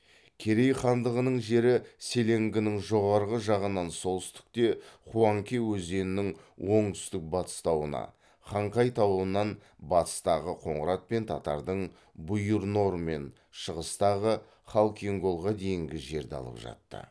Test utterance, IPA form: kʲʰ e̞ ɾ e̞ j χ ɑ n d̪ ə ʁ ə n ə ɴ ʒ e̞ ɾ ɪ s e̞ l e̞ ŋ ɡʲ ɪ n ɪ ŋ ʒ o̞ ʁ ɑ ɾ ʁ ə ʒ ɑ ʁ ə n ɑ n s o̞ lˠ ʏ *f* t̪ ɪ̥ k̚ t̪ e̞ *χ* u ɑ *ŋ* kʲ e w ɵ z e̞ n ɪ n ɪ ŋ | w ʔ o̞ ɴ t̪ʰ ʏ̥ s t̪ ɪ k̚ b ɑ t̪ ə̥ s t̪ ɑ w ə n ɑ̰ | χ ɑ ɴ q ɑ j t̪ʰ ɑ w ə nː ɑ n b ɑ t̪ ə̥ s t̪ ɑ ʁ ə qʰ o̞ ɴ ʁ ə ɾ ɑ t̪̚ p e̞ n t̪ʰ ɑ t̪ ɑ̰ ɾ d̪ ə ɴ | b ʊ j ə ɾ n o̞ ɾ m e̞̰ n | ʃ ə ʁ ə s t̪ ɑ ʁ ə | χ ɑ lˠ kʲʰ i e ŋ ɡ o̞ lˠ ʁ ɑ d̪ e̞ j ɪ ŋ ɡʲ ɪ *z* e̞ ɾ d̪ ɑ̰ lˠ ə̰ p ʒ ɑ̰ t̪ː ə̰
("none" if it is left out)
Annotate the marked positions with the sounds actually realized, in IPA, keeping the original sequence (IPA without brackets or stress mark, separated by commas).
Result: s, χ, ŋ, ʒ